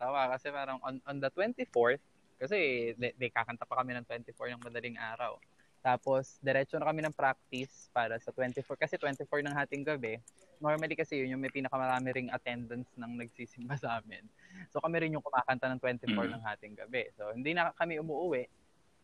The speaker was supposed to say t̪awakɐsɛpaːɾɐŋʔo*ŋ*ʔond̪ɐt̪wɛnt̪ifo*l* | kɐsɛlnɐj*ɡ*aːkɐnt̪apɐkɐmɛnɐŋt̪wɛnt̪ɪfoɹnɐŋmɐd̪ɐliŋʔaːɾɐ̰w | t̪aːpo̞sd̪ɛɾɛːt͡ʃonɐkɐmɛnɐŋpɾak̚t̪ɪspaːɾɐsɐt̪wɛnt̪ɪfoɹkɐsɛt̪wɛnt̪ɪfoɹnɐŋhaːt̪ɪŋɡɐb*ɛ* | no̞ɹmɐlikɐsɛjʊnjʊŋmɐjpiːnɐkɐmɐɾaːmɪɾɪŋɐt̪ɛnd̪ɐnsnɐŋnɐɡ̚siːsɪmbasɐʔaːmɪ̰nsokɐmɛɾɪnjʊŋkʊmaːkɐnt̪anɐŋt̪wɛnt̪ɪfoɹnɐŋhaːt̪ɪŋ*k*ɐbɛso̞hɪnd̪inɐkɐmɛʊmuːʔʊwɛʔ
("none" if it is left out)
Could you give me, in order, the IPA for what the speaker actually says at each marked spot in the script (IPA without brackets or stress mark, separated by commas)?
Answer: n, ɹ, k, ɛ, ɡ